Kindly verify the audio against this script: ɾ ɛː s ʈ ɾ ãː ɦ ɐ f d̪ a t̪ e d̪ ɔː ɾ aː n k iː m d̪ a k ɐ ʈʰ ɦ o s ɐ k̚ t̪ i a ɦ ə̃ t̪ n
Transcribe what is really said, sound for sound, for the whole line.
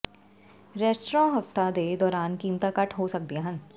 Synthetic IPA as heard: ɾ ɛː s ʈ ɾ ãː ɦ ɐ f t̪ a d̪ e d̪ ɔː ɾ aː n k iː m t̪ a k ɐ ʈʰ ɦ o s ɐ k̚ d̪ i a ɦ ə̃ n